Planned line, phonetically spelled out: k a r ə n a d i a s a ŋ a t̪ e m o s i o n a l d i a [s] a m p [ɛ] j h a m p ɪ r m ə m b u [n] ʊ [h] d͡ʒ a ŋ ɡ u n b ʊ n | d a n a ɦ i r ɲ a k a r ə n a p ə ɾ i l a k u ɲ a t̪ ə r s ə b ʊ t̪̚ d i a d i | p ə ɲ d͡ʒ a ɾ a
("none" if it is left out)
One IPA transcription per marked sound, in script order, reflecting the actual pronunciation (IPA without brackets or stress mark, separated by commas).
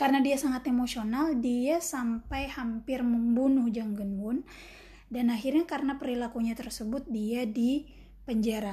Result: s, a, n, h